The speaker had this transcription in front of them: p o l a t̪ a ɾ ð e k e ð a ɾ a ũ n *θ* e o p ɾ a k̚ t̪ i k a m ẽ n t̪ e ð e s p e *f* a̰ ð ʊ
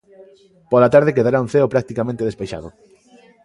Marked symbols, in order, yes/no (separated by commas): yes, no